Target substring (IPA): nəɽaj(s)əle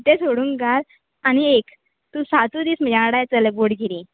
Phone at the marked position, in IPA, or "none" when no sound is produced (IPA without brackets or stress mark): t͡s